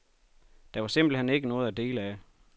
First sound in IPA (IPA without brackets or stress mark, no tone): d̥